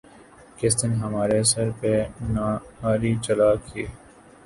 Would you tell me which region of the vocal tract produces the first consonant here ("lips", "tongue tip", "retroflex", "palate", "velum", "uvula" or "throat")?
velum